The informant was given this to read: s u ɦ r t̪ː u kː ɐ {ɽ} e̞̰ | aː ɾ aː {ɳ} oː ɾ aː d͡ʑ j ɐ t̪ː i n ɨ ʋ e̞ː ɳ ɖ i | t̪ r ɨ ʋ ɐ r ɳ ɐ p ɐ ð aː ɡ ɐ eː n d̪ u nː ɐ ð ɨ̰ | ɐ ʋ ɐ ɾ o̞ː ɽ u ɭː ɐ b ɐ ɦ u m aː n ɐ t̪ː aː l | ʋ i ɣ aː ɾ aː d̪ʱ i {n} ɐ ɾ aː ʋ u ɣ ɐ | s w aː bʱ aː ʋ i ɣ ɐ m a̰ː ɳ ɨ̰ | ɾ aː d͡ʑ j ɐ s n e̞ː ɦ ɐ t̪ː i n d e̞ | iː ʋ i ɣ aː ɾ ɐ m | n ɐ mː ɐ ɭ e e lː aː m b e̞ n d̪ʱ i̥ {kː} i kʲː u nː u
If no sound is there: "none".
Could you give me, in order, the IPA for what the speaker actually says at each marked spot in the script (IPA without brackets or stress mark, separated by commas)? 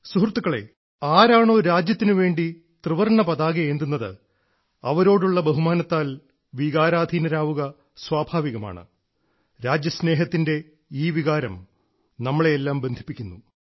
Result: ɭ, ɳ, n, pː